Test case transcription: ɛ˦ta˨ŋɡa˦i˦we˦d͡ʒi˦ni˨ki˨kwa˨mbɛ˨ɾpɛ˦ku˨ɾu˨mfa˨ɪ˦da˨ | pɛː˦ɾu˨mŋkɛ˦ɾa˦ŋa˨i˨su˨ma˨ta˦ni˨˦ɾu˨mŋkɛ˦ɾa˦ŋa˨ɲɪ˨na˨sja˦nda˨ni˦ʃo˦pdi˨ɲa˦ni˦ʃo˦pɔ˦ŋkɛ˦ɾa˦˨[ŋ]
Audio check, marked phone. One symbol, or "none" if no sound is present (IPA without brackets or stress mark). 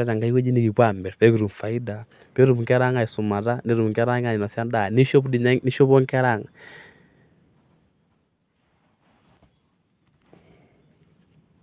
ŋ